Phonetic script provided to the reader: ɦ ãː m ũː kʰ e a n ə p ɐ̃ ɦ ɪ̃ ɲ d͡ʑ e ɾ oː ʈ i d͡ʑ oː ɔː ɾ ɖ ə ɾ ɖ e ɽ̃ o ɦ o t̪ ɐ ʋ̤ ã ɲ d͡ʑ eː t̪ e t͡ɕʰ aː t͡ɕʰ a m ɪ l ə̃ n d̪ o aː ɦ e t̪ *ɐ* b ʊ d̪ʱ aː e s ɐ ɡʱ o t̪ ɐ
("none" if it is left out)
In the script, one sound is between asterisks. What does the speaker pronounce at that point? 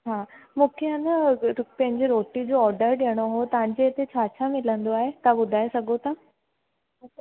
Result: a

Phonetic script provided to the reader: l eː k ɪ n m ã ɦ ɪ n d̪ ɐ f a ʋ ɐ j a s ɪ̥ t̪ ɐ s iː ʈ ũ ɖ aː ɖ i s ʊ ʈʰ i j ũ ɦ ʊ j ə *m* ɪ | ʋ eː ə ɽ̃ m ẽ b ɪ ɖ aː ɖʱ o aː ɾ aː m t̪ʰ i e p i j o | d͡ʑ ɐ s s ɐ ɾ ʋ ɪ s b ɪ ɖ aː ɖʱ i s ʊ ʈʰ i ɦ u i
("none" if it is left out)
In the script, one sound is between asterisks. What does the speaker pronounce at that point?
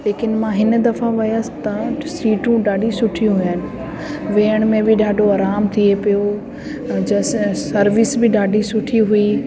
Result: n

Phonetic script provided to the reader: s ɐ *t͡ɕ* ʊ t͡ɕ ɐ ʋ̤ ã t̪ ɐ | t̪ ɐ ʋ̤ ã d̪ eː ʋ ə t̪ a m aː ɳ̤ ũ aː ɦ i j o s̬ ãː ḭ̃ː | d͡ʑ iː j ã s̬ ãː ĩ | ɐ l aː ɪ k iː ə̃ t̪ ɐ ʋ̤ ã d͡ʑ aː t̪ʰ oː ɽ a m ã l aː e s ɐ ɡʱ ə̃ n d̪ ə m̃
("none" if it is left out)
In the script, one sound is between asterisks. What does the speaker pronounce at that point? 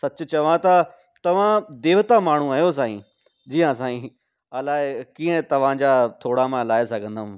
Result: t͡ɕ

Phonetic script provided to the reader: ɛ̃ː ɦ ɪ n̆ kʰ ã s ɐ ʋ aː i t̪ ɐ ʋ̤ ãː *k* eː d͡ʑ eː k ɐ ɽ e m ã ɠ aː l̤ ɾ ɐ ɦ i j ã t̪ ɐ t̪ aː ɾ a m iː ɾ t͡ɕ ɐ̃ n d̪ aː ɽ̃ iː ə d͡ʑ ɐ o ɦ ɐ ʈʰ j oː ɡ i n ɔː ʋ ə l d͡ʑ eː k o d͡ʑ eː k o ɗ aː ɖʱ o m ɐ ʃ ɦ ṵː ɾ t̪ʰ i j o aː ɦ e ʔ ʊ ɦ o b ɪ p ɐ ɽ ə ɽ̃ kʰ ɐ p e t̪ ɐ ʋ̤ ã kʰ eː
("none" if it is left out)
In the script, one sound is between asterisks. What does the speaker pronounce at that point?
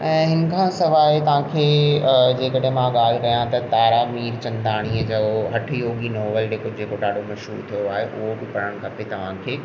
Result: kʰ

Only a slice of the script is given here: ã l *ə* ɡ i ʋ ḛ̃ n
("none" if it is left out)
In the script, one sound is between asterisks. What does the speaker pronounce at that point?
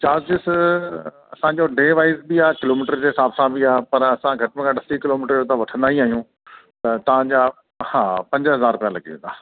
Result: ɐ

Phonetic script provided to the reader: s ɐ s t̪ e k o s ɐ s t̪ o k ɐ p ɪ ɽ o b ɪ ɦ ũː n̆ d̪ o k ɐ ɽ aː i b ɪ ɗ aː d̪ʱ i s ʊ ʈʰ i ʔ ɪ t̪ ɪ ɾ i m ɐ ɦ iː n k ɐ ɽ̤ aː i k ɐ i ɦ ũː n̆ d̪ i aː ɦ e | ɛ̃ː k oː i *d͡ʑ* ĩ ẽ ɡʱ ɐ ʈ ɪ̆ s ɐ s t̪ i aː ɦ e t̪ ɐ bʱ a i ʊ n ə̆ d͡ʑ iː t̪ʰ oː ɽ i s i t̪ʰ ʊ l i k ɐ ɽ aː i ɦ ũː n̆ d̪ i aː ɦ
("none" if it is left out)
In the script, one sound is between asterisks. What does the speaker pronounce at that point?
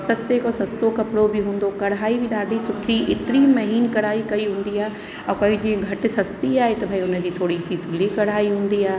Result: d͡ʑ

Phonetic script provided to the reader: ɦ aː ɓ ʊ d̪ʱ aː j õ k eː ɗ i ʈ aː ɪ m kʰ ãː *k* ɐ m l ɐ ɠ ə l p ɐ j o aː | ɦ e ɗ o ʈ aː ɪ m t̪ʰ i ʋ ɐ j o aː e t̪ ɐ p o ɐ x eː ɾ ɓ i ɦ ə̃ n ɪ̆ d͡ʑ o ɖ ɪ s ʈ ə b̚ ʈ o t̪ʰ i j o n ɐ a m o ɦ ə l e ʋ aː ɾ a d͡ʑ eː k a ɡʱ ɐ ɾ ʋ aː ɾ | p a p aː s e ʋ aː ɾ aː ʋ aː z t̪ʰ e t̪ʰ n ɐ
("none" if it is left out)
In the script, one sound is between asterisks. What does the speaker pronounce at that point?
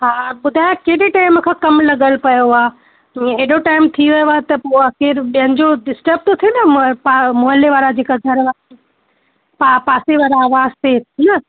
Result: k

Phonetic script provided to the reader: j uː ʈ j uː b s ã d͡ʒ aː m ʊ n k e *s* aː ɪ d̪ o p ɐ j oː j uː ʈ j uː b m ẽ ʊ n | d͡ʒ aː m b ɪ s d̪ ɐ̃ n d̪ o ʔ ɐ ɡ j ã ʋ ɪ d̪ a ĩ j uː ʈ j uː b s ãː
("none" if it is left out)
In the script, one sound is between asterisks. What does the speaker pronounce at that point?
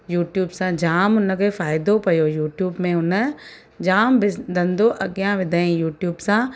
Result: f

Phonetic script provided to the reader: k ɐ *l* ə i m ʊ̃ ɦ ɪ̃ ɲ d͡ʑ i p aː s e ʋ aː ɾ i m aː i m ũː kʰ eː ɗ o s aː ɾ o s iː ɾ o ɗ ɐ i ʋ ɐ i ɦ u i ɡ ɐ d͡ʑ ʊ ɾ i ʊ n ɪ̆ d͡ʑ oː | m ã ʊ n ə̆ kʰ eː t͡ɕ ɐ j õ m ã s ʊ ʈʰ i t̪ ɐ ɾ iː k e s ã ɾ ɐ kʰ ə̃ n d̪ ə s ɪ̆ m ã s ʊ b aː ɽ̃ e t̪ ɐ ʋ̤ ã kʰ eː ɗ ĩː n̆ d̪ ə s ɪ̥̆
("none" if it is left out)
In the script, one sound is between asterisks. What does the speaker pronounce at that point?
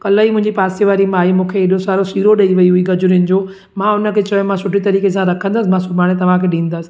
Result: l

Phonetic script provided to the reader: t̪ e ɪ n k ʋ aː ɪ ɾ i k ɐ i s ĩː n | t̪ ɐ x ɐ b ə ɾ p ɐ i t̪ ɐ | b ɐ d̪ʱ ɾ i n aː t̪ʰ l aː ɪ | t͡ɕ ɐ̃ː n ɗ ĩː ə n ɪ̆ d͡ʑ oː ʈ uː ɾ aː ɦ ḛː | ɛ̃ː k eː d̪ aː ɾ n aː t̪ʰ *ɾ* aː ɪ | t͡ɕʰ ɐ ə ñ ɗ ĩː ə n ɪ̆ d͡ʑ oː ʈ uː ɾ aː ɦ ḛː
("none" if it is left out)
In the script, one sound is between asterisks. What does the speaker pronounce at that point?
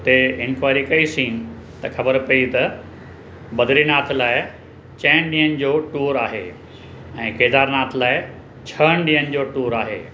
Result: l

